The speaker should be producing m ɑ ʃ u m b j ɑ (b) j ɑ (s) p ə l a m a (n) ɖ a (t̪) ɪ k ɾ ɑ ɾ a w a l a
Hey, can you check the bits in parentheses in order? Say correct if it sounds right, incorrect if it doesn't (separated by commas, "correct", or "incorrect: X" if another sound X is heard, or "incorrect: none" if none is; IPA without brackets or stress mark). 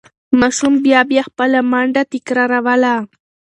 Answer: correct, incorrect: x, incorrect: ɳ, correct